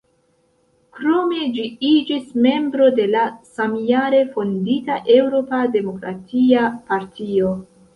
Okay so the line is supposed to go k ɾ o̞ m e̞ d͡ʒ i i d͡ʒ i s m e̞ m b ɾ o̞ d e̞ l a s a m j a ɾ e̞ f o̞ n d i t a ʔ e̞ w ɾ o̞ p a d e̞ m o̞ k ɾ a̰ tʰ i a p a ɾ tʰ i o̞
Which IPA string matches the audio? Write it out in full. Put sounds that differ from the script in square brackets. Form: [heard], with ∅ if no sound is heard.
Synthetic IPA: k ɾ o̞ m e̞ d͡ʒ i i d͡ʒ i s m e̞ m b ɾ o̞ d e̞ l a s a m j a ɾ e̞ f o̞ n d i t a ʔ e̞ w ɾ o̞ p a d e̞ m o̞ k ɾ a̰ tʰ i a p a ɾ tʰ i o̞